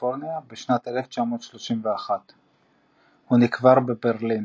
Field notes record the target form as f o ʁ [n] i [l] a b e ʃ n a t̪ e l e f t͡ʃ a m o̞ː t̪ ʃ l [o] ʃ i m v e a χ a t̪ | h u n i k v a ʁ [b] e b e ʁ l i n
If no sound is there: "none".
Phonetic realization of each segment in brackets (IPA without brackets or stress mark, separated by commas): n, none, o, b